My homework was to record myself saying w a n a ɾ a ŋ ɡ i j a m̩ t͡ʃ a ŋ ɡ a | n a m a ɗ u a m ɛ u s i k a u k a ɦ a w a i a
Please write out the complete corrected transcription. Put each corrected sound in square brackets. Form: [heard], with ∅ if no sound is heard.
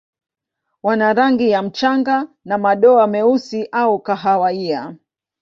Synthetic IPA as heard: w a n a ɾ a ŋ ɡ i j a m̩ t͡ʃ a ŋ ɡ a | n a m a ɗ [ɔ] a m ɛ u s i [ʔ] a u k a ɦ a w a i a